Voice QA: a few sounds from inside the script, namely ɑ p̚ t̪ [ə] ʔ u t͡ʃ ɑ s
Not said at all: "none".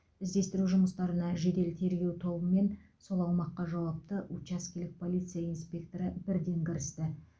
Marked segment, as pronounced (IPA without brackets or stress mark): ə